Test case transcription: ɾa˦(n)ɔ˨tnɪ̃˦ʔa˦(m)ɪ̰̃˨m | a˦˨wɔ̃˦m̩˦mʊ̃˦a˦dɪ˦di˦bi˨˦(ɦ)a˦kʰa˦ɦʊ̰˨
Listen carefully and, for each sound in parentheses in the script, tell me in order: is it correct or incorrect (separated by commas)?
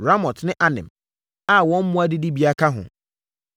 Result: incorrect, incorrect, incorrect